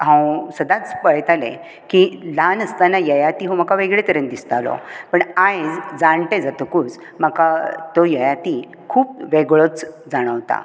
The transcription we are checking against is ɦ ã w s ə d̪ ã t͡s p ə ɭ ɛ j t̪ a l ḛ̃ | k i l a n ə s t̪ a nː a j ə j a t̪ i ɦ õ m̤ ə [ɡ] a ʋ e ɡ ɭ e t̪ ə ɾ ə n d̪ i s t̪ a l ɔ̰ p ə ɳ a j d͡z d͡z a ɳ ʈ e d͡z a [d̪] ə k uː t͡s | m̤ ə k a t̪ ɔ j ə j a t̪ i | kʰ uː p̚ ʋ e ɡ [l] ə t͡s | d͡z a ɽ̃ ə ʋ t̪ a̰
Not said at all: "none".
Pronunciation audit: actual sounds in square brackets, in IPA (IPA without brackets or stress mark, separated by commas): k, t̪, ɭ